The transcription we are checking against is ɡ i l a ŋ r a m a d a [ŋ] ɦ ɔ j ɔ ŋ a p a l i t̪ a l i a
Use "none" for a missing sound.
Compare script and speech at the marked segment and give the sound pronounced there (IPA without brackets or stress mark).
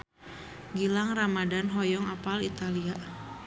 n